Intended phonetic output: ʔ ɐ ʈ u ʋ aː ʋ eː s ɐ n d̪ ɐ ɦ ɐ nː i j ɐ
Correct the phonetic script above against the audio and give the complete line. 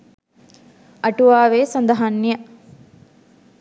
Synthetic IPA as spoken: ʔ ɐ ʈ u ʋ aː ʋ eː s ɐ n d̪ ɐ ɦ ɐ nː i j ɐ